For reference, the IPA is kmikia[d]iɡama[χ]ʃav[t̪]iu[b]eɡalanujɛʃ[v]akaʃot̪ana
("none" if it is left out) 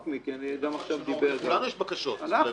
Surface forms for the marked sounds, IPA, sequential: n, χ, d̪, b, b

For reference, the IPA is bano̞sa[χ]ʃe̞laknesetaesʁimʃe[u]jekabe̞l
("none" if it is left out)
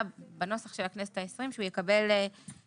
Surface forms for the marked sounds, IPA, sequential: χ, u

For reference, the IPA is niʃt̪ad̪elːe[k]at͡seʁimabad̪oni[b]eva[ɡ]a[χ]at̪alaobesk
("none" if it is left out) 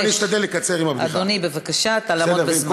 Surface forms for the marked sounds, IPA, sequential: k, b, k, ʃ

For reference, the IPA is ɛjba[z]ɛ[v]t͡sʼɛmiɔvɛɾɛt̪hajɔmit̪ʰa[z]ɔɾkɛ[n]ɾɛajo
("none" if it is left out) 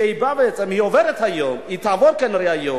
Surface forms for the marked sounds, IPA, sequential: v, none, v, n

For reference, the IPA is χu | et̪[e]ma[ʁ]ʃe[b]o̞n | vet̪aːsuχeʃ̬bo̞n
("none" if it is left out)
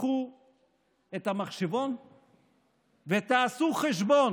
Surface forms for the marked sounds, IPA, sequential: a, χ, v

